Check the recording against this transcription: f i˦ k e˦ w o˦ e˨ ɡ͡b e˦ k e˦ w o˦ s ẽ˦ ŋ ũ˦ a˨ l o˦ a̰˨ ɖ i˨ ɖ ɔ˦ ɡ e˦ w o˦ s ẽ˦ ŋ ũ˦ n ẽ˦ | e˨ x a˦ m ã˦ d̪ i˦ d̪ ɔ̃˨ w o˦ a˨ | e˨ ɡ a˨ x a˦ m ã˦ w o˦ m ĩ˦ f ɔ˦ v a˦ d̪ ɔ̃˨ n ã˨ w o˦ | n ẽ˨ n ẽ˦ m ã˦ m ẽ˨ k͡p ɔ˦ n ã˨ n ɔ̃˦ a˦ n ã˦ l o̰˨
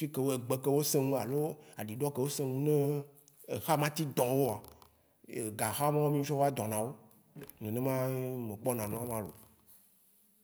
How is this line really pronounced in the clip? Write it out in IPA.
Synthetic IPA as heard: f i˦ k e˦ w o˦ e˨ ɡ͡b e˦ k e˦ w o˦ s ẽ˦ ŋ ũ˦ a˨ l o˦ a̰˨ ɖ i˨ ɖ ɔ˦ k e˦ w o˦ s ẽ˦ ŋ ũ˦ n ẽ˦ | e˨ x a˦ m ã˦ t̪ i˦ d̪ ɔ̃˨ w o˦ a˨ | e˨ ɡ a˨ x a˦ m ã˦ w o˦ m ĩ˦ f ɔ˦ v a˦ d̪ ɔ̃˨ n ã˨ w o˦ | n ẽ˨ n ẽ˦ m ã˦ m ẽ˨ k͡p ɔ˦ n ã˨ n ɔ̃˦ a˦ m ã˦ l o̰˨

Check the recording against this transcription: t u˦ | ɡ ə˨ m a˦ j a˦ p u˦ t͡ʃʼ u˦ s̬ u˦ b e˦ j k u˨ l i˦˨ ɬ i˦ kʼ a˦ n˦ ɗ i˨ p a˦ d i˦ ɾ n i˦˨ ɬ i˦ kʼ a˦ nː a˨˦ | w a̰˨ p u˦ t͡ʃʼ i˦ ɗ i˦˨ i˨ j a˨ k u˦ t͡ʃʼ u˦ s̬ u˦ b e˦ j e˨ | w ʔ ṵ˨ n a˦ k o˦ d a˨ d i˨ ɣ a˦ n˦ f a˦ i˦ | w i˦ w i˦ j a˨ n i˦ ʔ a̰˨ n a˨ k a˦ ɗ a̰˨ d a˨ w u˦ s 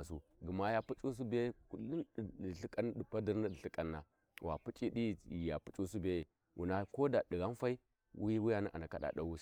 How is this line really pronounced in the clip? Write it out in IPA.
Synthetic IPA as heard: s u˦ | ɡ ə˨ m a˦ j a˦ p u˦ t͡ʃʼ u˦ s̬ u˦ b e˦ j k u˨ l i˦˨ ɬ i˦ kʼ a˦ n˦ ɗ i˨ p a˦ d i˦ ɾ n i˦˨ ɬ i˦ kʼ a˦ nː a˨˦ | w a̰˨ p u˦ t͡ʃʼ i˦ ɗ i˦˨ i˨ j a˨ p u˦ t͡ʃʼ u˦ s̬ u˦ b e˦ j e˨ | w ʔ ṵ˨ n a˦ k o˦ d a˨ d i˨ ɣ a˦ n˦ f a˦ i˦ | w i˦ w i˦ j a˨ n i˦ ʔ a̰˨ n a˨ k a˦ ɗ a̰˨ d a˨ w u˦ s

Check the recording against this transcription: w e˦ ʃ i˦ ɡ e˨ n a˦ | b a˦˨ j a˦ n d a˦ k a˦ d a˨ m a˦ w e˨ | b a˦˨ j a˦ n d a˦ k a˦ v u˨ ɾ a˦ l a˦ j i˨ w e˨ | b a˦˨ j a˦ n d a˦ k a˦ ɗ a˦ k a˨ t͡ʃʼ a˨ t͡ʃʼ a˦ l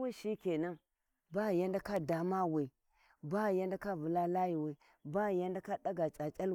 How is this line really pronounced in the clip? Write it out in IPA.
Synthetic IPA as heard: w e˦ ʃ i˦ k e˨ n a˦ | b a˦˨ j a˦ n d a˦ k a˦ d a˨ m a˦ w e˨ | b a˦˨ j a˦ n d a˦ k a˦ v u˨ l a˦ l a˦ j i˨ w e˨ | b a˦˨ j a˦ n d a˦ k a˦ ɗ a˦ ɡ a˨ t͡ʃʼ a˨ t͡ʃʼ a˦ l

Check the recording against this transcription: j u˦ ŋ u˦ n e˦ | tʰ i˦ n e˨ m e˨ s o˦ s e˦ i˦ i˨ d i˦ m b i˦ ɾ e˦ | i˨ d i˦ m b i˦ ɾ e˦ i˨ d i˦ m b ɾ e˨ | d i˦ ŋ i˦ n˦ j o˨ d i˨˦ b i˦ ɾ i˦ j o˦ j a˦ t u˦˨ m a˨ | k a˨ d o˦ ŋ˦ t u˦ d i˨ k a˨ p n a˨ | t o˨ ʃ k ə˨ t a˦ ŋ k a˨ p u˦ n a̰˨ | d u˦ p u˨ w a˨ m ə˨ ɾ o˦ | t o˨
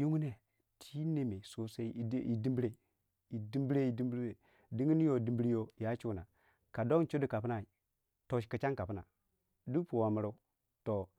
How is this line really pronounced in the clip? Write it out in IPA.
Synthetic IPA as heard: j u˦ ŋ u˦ n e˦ | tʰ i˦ n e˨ m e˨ s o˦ s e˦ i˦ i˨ d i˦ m b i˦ ɾ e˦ | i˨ d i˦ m b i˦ ɾ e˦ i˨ d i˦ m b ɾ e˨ | d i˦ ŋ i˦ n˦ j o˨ d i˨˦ b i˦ ɾ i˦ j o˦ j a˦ t͡ʃ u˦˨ n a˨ | k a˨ d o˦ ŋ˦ t͡ʃ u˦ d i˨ k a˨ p n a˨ | t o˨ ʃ k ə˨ t͡ʃ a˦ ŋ k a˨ p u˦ n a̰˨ | d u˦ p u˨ w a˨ m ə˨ ɾ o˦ | t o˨

